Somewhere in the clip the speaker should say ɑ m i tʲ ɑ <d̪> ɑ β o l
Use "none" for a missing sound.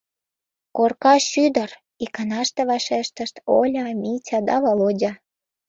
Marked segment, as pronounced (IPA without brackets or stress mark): d̪